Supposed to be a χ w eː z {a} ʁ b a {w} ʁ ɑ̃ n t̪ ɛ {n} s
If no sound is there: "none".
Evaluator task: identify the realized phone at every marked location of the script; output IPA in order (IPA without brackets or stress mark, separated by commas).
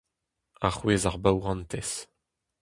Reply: a, w, none